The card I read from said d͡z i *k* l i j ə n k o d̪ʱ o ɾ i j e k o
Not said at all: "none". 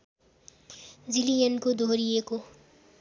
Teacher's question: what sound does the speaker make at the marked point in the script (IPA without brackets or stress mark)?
none